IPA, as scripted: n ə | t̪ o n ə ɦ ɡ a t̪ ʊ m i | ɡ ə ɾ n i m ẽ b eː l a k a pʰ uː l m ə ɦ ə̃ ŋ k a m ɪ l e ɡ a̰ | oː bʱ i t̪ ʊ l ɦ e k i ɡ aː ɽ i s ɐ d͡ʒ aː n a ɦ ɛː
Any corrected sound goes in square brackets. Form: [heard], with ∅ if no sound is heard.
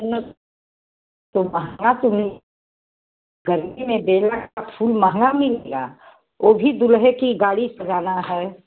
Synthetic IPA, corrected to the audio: n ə | t̪ o [m] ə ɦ ɡ a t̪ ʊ m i | ɡ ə ɾ [m] i m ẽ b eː l a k a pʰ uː l m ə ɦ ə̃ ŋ [ɡ] a m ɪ l e ɡ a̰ | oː bʱ i [d̪] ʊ l ɦ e k i ɡ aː ɽ i s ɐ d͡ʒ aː n a ɦ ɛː